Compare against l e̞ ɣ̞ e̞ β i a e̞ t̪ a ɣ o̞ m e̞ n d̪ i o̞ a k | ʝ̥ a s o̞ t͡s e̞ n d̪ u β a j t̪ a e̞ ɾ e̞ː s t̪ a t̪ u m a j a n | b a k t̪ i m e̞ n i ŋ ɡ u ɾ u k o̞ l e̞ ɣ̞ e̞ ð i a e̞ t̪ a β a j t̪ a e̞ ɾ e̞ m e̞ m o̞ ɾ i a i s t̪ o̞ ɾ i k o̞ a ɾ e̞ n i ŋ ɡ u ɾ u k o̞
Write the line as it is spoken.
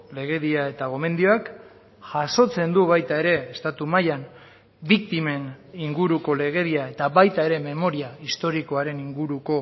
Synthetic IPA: l e̞ ɣ̞ e̞ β i a e̞ t̪ a ɣ o̞ m e̞ n d̪ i o̞ a k | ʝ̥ a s o̞ t͡s e̞ n d̪ u β a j t̪ a e̞ ɾ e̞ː s t̪ a t̪ u m a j a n | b i k t̪ i m e̞ n i ŋ ɡ u ɾ u k o̞ l e̞ ɣ̞ e̞ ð i a e̞ t̪ a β a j t̪ a e̞ ɾ e̞ m e̞ m o̞ ɾ i a i s t̪ o̞ ɾ i k o̞ a ɾ e̞ n i ŋ ɡ u ɾ u k o̞